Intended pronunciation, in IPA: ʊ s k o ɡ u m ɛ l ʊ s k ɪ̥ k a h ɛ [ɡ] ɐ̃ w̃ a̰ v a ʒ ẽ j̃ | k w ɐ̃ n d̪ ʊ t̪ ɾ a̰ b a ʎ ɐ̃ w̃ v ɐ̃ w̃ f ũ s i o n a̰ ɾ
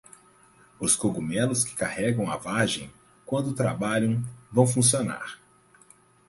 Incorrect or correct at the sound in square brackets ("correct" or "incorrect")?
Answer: correct